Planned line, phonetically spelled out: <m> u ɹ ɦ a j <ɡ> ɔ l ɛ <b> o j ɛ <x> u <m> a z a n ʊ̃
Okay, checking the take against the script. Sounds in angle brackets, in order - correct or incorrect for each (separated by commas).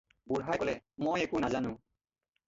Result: incorrect, incorrect, incorrect, incorrect, incorrect